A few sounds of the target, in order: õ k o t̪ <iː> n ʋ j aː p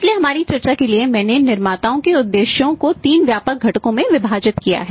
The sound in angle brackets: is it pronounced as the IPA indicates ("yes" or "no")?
yes